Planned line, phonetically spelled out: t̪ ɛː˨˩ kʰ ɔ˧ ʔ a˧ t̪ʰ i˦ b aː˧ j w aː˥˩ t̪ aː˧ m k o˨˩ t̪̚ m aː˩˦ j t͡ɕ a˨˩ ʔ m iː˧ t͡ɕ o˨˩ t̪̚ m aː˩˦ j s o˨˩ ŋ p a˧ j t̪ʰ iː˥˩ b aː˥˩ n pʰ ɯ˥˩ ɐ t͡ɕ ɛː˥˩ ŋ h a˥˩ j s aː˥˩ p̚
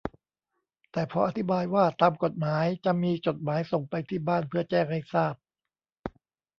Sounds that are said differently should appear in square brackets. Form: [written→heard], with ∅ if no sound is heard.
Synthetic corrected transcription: t̪ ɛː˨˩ [kʰ→pʰ] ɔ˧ ʔ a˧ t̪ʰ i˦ b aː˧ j w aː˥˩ t̪ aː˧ m k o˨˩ t̪̚ m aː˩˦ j t͡ɕ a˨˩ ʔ m iː˧ t͡ɕ o˨˩ t̪̚ m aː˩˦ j s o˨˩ ŋ p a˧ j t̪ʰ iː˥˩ b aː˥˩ n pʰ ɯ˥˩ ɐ t͡ɕ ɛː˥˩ ŋ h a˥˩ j s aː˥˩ p̚